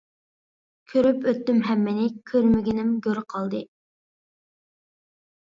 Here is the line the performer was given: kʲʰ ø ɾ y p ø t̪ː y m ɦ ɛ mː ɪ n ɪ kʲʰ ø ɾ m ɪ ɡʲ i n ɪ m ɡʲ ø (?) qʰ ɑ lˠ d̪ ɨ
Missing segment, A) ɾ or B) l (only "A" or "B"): A